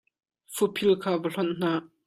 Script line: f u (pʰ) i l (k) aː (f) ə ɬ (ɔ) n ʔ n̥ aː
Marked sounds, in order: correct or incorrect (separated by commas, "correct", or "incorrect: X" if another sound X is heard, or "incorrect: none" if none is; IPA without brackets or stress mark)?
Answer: correct, incorrect: kʰ, incorrect: v, correct